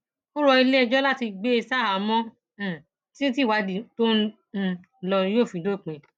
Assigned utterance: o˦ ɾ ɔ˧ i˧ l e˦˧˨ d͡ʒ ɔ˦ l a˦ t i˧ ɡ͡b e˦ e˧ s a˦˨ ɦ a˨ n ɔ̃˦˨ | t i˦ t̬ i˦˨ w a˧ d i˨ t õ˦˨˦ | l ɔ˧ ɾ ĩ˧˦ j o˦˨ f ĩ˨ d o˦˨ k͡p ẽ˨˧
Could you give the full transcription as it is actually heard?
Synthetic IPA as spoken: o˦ ɾ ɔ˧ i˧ l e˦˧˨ d͡ʒ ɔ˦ l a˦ t i˧ ɡ͡b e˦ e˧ s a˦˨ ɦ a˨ m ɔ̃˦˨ | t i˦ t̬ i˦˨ w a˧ d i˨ t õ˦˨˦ | l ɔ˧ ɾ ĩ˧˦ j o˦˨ f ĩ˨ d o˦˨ k͡p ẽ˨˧